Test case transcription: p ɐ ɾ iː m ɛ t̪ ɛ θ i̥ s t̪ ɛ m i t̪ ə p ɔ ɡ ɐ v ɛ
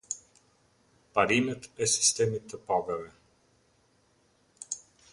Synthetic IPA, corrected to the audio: p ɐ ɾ i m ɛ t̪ ɛ s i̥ s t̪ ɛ m i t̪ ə p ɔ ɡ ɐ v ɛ